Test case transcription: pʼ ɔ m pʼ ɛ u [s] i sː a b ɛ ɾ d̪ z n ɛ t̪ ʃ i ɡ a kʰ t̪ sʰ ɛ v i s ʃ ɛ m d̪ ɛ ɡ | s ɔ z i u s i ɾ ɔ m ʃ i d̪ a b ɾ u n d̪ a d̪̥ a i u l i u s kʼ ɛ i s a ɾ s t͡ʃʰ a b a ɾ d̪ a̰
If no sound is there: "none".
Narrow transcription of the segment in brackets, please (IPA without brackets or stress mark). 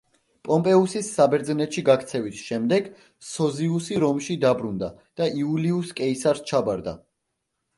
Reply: s